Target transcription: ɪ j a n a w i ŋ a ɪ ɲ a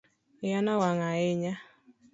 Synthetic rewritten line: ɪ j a n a w a ŋ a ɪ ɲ a